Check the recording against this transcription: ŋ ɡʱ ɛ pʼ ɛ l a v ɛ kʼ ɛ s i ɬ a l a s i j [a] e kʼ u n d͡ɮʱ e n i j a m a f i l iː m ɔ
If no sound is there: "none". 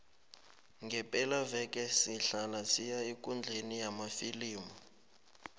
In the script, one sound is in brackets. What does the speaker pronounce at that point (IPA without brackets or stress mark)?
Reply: a